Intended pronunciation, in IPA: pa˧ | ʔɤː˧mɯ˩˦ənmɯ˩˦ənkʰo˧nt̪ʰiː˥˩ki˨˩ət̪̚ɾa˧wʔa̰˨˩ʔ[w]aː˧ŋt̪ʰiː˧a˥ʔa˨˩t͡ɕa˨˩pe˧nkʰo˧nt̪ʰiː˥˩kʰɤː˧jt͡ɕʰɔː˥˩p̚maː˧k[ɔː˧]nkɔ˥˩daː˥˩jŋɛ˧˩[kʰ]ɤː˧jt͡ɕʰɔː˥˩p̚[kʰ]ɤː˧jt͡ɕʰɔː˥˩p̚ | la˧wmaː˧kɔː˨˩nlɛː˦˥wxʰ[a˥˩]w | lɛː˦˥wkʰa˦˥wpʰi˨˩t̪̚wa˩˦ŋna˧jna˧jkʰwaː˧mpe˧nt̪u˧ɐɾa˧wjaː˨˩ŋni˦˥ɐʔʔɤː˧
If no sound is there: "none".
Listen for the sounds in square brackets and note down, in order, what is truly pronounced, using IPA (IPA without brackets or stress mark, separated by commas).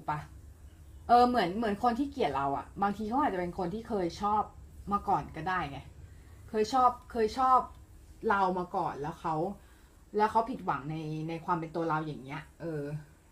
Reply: b, ɔː˨˩, kʰ, kʰ, a˦˥